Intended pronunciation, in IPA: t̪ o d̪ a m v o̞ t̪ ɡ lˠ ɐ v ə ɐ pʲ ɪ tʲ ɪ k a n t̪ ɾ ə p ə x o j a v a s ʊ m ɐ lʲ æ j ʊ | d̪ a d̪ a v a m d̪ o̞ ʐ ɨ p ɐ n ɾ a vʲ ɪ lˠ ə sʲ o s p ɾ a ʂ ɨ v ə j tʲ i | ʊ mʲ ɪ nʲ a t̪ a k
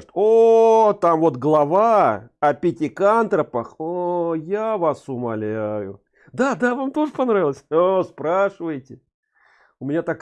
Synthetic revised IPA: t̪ o t̪ a m v o̞ t̪ ɡ lˠ ɐ v a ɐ pʲ ɪ tʲ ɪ k a n t̪ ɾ ə p ə x o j a v a s ʊ m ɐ lʲ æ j ʊ | d̪ a d̪ a v a m t̪ o̞ ʐ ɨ p ɐ n ɾ a vʲ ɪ lˠ ə sʲ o s p ɾ a ʂ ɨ v ə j tʲ ɪ | ʊ mʲ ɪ nʲ a t̪ a k

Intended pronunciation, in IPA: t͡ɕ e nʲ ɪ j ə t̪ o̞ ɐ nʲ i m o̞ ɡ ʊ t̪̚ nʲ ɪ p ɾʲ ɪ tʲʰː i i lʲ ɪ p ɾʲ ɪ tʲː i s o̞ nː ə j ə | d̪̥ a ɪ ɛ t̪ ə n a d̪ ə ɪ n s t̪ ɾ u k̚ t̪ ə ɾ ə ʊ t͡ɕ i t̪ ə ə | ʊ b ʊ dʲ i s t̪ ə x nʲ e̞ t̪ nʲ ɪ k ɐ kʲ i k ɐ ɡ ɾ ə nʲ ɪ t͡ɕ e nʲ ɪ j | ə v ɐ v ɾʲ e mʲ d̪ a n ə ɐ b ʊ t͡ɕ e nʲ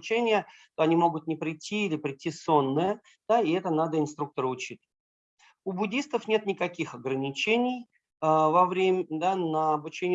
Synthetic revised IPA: t͡ɕ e nʲ ɪ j ə t̪ o̞ ɐ nʲ i m o̞ ɡ ʊ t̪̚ nʲ ɪ p ɾʲ ɪ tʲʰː i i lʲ ɪ p ɾʲ ɪ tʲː i s o̞ nː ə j ə | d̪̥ a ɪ ɛ t̪ ə n a d̪ ə ɪ n s t̪ ɾ u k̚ t̪ ə ɾ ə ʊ t͡ɕ i t̪ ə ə | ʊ b ʊ dʲ i s t̪ ə f nʲ e̞ t̪ nʲ ɪ k ɐ kʲ i x ɐ ɡ ɾ ə nʲ ɪ t͡ɕ e nʲ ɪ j | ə v ɐ v ɾʲ e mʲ d̪ a n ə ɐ b ʊ t͡ɕ e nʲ

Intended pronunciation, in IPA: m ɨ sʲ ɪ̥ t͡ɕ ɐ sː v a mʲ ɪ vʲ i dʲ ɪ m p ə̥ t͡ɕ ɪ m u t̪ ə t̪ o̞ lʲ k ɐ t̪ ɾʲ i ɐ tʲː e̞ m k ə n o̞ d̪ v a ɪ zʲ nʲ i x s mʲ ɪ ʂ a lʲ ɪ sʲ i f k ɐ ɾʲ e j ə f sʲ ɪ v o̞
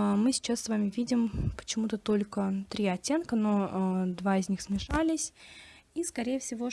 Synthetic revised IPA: m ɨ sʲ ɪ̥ t͡ɕ a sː v a mʲ ɪ vʲ i dʲ ɪ m p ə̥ t͡ɕ ɪ m u t̪ ə t̪ o̞ lʲ k ə t̪ ɾʲ i ɐ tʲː e̞ n k ə n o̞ d̪ v a ɪ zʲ nʲ i x s mʲ ɪ ʂ a lʲ ɪ sʲ i s k ɐ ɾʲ e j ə f sʲ ɪ v o̞

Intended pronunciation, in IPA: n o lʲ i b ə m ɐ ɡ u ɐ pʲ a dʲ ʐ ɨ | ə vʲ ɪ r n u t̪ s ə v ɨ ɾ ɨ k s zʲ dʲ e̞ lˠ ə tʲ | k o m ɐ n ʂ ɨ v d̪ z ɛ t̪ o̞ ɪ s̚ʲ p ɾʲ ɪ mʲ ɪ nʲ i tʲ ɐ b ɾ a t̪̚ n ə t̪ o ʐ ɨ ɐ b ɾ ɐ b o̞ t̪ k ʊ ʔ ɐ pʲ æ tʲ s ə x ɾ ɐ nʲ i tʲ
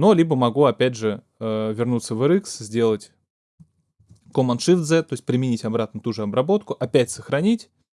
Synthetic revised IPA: n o lʲ i b ə m ɐ ɡ u ɐ pʲ æ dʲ ʐ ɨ | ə vʲ ɪ r n u t̪ s ə v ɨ ɾ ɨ k s zʲ dʲ e̞ lˠ ə tʲ | k o m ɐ n ʂ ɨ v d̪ z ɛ t̪ o̞ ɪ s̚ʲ p ɾʲ ɪ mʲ ɪ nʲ i tʲ ɐ b ɾ a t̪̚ n ə t̪ u ʐ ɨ ɐ b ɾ ɐ b o̞ t̪ k ʊ ʔ ɐ pʲ æ tʲ s ə x ɾ ɐ nʲ i tʲ

